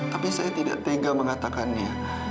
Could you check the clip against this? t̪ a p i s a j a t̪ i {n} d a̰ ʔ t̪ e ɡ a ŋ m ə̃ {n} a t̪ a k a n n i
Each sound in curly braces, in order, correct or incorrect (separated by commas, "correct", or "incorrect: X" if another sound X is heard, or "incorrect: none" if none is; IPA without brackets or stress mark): incorrect: none, incorrect: ŋ